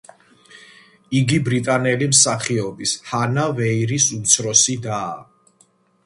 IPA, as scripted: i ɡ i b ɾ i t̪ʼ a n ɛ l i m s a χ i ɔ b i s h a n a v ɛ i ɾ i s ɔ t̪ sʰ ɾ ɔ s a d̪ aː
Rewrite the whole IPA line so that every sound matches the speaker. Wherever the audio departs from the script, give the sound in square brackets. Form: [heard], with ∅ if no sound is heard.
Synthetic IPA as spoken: i ɡ i b ɾ i t̪ʼ a n ɛ l i m s a χ i ɔ b i s h a n a v ɛ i ɾ i s [u] t̪ sʰ ɾ ɔ s [i] d̪ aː

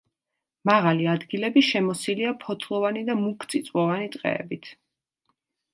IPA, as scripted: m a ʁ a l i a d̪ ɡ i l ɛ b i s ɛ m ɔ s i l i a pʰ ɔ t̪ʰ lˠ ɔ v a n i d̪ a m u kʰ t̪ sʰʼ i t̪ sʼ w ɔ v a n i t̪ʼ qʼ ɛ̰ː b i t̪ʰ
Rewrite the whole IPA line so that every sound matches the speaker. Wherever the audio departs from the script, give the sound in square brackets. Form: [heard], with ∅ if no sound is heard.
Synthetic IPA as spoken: m a ʁ a l i a d̪ ɡ i l ɛ b i [ʃ] ɛ m ɔ s i l i a pʰ ɔ t̪ʰ lˠ ɔ v a n i d̪ a m u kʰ t̪ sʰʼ i t̪ sʼ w ɔ v a n i t̪ʼ qʼ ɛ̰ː b i t̪ʰ

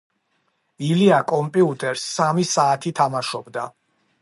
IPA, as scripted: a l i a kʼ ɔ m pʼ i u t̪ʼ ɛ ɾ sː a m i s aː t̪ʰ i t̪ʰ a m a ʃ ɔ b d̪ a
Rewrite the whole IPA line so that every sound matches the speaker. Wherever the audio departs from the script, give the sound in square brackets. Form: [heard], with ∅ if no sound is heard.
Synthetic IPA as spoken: [i] l i a kʼ ɔ m pʼ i u t̪ʼ ɛ ɾ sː a m i s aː t̪ʰ i t̪ʰ a m a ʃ ɔ b d̪ a

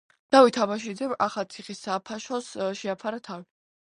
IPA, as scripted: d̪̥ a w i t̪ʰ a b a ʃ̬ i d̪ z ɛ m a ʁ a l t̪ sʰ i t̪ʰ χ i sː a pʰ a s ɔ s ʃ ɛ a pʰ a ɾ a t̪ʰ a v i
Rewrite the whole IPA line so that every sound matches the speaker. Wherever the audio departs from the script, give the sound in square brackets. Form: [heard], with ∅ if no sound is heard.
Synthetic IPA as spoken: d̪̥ a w i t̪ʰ a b a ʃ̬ i d̪ z ɛ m a [χ] a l t̪ sʰ i [∅] χ i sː a pʰ a [ʃ] ɔ s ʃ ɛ a pʰ a ɾ a t̪ʰ a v i

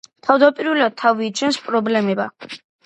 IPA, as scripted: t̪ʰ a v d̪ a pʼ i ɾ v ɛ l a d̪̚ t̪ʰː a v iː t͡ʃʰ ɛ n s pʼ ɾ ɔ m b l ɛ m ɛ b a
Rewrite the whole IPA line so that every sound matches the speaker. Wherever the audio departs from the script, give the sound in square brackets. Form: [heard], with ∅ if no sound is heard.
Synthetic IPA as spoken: t̪ʰ a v d̪ a pʼ i ɾ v ɛ l a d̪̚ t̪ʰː a v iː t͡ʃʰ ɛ n s pʼ ɾ ɔ [∅] b l ɛ m ɛ b a

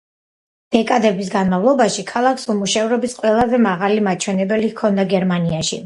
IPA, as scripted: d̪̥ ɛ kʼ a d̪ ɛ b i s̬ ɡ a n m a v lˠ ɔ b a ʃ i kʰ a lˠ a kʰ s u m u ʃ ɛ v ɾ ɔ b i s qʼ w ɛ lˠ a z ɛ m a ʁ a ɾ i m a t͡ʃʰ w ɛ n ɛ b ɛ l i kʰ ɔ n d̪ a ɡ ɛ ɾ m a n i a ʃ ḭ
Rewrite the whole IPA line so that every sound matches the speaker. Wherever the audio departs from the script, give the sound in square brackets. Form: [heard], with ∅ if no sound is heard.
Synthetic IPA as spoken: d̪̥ ɛ kʼ a d̪ ɛ b i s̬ ɡ a n m a v lˠ ɔ b a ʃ i kʰ a lˠ a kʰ s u m u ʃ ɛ v ɾ ɔ b i s qʼ w ɛ lˠ a z ɛ m a ʁ a [l] i m a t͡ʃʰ w ɛ n ɛ b ɛ l i kʰ ɔ n d̪ a ɡ ɛ ɾ m a n i a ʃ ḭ

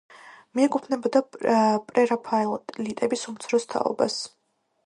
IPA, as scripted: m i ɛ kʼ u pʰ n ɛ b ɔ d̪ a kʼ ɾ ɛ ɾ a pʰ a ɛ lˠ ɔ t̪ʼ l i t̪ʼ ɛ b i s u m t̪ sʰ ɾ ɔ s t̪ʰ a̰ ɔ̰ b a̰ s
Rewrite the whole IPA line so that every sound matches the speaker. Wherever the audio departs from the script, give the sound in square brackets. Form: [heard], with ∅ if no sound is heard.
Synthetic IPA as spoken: m i ɛ kʼ u pʰ n ɛ b ɔ d̪ a [pʼ] ɾ ɛ ɾ a pʰ a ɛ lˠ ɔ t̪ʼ l i t̪ʼ ɛ b i s u m t̪ sʰ ɾ ɔ s t̪ʰ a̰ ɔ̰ b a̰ s

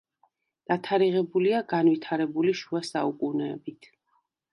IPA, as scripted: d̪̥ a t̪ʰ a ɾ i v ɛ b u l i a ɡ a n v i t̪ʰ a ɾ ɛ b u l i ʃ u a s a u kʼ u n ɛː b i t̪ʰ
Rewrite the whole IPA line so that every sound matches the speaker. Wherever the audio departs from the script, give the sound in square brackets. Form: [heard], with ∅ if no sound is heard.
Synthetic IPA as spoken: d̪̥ a t̪ʰ a ɾ i [ʁ] ɛ b u l i a ɡ a n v i t̪ʰ a ɾ ɛ b u l i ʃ u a s a u kʼ u n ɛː b i t̪ʰ

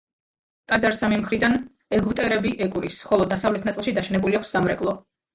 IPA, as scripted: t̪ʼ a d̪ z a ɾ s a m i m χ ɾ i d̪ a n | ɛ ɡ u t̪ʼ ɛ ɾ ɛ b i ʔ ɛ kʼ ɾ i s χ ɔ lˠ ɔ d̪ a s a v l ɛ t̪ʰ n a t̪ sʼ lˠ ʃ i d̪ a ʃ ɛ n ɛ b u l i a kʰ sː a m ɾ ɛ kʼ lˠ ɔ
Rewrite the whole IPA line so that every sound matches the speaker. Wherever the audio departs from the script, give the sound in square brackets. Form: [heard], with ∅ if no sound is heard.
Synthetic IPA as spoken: t̪ʼ a d̪ z a ɾ s a m i m χ ɾ i d̪ a n | ɛ ɡ u t̪ʼ ɛ ɾ ɛ b i ʔ ɛ kʼ ɾ i s χ ɔ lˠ ɔ d̪ a s a v l ɛ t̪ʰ n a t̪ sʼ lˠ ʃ i d̪ a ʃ ɛ n ɛ b u l i a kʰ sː a m ɾ ɛ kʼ lˠ ɔ

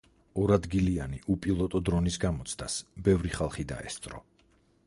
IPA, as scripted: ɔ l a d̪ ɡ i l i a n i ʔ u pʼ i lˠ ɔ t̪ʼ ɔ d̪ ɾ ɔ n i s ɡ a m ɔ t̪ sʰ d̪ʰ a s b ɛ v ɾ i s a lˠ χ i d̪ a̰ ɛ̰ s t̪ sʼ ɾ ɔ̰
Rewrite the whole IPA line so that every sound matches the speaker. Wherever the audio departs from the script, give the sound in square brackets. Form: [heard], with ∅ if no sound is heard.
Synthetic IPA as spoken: ɔ [ɾ] a d̪ ɡ i l i a n i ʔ u pʼ i lˠ ɔ t̪ʼ ɔ d̪ ɾ ɔ n i s ɡ a m ɔ t̪ sʰ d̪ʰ a s b ɛ v ɾ i [χ] a lˠ χ i d̪ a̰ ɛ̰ s t̪ sʼ ɾ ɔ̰

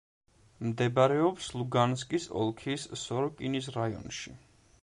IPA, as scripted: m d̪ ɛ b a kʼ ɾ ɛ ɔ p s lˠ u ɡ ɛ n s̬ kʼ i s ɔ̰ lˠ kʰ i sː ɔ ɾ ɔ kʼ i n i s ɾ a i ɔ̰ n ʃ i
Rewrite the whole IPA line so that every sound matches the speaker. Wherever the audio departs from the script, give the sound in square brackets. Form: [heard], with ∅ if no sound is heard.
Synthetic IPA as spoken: m d̪ ɛ b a [∅] ɾ ɛ ɔ p s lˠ u ɡ [a] n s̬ kʼ i s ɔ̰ lˠ kʰ i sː ɔ ɾ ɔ kʼ i n i s ɾ a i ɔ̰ n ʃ i

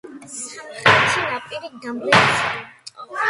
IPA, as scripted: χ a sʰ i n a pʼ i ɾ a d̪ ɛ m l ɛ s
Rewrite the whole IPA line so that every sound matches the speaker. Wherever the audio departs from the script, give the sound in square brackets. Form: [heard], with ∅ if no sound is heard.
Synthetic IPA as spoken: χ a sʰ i n a pʼ i ɾ [i] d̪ [a] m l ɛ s

